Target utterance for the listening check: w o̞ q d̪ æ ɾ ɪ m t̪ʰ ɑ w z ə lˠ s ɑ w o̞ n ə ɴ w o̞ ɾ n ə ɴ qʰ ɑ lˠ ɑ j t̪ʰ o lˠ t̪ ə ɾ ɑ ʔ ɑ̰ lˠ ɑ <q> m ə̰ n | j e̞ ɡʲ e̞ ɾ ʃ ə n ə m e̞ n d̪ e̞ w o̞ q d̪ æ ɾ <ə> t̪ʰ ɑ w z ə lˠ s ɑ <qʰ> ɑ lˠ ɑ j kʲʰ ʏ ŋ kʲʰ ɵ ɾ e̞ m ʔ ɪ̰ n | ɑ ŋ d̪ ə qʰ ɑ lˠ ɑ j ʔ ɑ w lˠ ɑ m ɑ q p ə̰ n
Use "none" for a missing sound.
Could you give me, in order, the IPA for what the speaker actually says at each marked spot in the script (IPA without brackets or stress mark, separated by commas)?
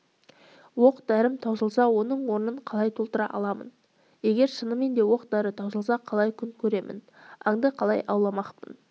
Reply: none, ə, qʰ